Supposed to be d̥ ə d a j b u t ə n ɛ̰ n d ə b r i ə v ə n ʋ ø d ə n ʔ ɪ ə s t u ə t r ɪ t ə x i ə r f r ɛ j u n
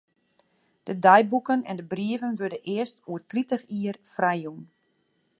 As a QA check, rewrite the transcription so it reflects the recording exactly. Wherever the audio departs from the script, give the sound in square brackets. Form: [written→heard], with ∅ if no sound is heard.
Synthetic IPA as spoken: d̥ ə d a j b u [t→k] ə n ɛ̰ n d ə b r i ə v ə n ʋ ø d ə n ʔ ɪ ə s t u ə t r [ɪ→i] t ə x i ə r f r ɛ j u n